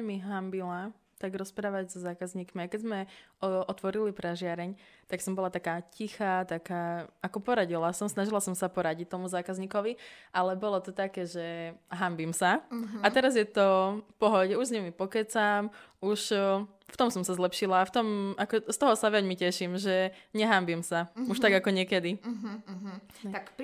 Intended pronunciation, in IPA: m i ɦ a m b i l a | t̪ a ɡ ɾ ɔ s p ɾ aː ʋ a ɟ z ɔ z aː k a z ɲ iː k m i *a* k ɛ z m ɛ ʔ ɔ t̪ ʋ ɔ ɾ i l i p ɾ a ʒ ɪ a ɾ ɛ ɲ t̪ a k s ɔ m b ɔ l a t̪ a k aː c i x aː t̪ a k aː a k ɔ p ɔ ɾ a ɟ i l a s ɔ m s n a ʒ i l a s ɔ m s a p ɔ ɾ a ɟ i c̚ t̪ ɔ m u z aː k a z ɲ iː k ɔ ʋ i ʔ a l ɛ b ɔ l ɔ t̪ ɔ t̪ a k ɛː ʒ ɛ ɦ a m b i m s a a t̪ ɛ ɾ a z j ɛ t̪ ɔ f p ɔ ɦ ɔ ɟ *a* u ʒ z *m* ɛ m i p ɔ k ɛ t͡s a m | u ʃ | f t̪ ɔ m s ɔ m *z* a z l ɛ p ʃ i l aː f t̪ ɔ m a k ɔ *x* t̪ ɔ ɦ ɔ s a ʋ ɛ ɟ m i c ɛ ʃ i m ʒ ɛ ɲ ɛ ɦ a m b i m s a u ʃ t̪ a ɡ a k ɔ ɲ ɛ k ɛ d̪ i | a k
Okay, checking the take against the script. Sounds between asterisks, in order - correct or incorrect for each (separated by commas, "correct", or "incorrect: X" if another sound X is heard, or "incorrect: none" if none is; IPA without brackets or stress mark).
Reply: correct, incorrect: ɛ, incorrect: ɲ, incorrect: s, incorrect: s